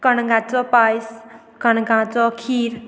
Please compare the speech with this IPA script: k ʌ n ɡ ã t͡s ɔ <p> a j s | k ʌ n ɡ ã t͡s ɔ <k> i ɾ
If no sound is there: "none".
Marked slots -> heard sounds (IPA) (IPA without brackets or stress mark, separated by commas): p, kʰ